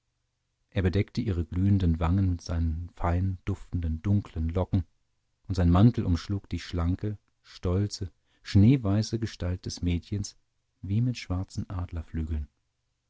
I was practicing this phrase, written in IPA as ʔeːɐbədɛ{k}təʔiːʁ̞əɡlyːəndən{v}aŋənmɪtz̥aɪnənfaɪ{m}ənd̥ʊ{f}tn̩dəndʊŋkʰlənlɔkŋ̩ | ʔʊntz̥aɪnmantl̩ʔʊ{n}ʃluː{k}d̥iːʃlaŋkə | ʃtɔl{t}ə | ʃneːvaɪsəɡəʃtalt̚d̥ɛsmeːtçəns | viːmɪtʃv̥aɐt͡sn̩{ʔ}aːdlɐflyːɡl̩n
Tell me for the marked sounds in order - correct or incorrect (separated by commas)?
correct, correct, incorrect, correct, incorrect, correct, incorrect, correct